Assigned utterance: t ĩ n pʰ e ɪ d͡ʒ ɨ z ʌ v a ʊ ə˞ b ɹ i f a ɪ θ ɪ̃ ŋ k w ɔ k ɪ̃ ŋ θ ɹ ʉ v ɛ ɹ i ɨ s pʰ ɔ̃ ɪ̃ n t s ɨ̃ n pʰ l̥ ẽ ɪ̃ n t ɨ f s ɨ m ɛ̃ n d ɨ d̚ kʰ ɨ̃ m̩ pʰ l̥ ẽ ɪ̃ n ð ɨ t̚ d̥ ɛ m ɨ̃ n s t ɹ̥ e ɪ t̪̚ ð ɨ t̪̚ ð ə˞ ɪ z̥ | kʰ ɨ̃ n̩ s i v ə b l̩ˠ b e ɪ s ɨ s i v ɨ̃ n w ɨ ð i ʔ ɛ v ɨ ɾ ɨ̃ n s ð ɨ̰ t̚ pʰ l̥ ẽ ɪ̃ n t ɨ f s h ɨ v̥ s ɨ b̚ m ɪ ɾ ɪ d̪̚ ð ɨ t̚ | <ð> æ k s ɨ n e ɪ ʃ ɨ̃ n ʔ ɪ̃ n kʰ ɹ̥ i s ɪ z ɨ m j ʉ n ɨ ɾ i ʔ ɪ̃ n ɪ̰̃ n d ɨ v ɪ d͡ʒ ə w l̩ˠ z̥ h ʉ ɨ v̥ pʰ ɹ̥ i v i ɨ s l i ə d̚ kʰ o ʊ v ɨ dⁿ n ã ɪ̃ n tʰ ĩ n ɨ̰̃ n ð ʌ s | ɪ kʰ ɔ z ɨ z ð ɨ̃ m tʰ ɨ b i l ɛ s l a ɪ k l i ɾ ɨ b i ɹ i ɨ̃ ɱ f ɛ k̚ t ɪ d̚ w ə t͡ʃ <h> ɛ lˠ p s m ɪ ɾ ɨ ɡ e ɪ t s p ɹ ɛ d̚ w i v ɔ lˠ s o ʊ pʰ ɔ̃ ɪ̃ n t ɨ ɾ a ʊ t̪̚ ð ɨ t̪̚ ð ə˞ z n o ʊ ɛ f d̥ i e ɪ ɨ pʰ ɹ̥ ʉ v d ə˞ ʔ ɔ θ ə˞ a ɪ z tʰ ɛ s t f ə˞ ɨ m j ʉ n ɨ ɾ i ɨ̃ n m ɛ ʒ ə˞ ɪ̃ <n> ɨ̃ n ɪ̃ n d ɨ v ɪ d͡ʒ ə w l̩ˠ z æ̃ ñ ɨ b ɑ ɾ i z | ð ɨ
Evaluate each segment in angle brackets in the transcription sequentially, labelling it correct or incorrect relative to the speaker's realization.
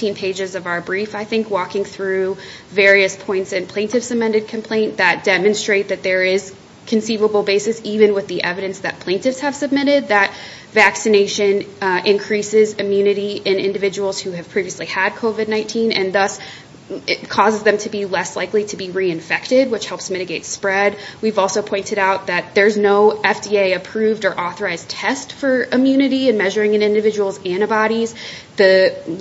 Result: incorrect: v, correct, incorrect: ŋ

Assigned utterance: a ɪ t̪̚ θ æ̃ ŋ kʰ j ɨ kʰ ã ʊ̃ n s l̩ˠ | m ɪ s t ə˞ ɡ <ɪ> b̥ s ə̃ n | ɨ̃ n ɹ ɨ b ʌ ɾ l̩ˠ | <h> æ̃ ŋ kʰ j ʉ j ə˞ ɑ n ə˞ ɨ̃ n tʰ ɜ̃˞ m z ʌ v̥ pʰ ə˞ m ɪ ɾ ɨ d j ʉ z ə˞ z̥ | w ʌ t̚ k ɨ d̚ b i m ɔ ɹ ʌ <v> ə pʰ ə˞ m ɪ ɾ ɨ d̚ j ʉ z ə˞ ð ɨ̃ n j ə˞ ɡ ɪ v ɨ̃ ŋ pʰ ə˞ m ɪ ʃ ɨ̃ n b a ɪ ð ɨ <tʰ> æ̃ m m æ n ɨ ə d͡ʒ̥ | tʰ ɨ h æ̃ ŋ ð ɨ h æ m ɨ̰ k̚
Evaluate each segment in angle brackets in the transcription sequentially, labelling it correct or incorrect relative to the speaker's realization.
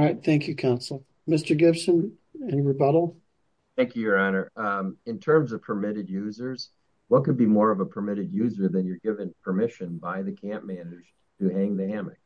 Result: correct, incorrect: θ, correct, incorrect: kʰ

